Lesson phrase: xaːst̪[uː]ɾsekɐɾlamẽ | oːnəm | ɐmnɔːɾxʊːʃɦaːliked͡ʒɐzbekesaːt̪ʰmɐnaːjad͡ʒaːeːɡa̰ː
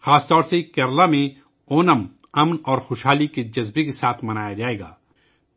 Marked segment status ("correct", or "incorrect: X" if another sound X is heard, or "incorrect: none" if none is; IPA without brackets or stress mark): incorrect: ɔː